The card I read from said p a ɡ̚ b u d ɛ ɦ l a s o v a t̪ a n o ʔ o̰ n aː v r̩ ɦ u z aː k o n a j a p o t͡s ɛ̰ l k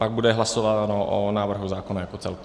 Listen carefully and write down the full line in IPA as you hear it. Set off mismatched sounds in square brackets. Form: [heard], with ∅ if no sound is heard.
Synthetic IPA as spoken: p a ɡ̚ b u d ɛ ɦ l a s o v a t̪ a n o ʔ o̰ n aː v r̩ ɦ u z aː k o n a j a [k] o t͡s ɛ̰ l k